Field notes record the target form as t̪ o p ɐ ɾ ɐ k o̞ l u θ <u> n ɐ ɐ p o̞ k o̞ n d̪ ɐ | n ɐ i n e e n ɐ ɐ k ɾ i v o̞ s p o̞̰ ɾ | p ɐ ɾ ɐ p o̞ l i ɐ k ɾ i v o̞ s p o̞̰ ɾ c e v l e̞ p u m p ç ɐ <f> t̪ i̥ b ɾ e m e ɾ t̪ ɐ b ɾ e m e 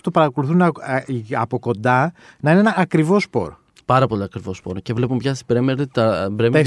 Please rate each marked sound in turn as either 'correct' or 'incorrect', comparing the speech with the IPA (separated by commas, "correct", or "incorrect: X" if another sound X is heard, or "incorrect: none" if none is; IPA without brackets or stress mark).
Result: correct, incorrect: s